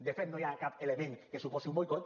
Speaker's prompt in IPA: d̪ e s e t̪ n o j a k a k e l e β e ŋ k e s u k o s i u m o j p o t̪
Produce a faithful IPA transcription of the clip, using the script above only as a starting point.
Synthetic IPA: d̪ e f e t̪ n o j a k a p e l e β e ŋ k e s u p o s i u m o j k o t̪